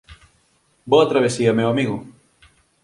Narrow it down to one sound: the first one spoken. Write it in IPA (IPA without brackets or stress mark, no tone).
b